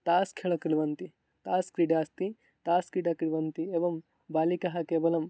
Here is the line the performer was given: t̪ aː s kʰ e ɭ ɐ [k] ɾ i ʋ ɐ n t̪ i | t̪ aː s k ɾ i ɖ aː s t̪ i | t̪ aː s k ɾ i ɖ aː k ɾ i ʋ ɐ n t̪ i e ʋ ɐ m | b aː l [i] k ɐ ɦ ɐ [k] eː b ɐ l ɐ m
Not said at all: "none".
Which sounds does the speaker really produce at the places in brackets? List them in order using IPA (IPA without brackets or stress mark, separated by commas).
k, i, k